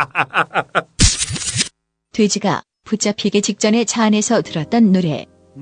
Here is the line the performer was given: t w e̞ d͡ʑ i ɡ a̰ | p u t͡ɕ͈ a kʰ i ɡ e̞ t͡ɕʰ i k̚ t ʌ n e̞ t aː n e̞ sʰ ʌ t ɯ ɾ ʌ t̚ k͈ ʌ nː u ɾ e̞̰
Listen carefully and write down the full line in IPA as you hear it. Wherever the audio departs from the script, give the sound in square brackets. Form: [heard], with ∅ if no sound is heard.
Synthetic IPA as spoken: t w e̞ d͡ʑ i ɡ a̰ | p u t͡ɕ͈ a [pʰ] i ɡ e̞ [t͡ɕ] i k̚ [t͡ɕ͈] ʌ n e̞ [t͡ɕʰ] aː n e̞ sʰ ʌ t ɯ ɾ ʌ t̚ [t͈] ʌ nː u ɾ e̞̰